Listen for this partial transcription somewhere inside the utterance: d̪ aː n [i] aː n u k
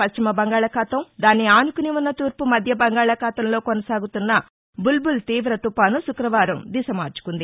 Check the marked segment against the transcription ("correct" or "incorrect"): correct